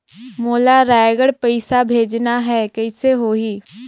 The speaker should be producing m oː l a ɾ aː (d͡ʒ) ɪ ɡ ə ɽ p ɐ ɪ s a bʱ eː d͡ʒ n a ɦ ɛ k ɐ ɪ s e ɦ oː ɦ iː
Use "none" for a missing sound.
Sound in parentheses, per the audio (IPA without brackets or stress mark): none